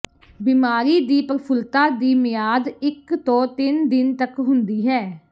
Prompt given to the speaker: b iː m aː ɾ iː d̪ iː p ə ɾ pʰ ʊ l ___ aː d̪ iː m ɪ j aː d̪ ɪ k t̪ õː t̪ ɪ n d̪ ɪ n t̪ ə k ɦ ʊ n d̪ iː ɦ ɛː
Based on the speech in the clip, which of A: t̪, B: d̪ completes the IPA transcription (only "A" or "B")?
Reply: A